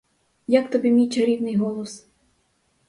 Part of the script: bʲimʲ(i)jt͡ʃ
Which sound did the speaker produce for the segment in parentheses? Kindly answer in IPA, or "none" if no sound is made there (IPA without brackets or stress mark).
i